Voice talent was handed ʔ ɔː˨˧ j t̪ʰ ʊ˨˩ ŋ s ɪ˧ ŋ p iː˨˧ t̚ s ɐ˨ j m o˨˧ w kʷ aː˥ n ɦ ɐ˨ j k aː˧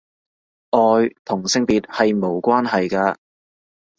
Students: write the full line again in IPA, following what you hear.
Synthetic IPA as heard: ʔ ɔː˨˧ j t̪ʰ ʊ˨˩ ŋ s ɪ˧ ŋ p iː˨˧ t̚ h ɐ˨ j m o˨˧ w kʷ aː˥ n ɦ ɐ˨ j k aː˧